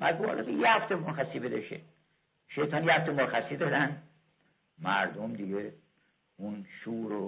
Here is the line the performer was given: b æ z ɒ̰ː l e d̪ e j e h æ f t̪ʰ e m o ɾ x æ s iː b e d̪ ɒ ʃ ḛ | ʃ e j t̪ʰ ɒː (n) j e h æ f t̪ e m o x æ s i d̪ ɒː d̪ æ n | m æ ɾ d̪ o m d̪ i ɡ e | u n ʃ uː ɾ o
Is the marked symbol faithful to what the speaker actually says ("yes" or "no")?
yes